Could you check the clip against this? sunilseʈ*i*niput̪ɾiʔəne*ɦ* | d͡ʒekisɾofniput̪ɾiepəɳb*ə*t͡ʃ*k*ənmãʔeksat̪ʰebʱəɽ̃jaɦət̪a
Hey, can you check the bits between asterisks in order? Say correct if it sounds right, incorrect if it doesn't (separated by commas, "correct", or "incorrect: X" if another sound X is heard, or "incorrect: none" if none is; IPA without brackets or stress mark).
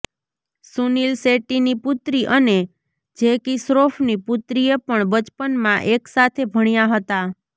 correct, incorrect: none, correct, incorrect: p